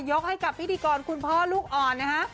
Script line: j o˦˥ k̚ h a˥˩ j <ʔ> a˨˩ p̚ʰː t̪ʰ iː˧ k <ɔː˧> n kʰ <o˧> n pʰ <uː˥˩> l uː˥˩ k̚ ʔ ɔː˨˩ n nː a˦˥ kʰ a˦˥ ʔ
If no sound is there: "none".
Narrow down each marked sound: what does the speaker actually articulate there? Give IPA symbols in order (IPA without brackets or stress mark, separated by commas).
k, ɔː˧, u˧, ɔː˥˩